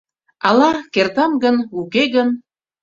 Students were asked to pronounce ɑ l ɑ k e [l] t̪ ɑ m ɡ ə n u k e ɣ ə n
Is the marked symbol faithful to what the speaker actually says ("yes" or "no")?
no